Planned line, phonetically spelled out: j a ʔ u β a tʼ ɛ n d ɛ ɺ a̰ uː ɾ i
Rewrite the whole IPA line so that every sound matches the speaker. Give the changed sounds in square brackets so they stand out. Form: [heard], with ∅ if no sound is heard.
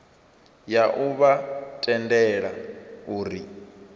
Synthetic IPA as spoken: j a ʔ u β a tʼ ɛ n d ɛ ɺ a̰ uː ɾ i